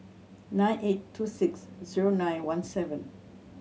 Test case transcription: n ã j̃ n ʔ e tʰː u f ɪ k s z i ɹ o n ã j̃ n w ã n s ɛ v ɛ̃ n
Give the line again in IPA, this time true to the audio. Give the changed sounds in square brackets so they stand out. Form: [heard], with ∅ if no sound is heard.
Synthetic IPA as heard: n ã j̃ n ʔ e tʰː u [s] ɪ k s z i ɹ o n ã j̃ n w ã n s ɛ v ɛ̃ n